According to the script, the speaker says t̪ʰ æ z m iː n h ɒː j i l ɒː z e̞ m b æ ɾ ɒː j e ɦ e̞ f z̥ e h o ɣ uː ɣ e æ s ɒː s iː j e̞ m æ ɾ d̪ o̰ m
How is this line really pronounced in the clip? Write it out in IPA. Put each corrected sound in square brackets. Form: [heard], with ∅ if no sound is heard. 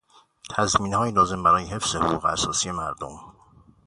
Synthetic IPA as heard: t̪ʰ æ z m iː n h ɒː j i l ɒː z e̞ m b æ ɾ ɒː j e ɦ e̞ f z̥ e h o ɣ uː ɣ e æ s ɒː s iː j e̞ m æ ɾ d̪ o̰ m